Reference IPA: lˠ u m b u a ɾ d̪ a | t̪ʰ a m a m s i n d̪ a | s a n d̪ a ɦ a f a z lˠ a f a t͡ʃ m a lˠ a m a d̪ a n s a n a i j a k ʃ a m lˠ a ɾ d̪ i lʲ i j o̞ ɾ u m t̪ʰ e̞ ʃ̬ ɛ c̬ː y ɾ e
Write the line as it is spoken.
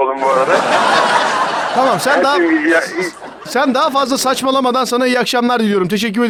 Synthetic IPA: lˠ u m b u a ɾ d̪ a | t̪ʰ a m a m s æ n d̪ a | s æ n d̪ a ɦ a f a z lˠ a s a t͡ʃ m a lˠ a m a d̪ a n s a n a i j a k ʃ a m lˠ a ɾ d̪ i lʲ i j o̞ ɾ u m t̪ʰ e̞ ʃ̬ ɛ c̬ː y ɾ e